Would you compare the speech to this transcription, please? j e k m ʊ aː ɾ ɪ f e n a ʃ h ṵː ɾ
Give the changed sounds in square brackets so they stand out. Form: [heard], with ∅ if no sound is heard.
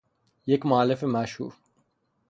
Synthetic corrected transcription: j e k m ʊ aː [l] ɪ f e [m] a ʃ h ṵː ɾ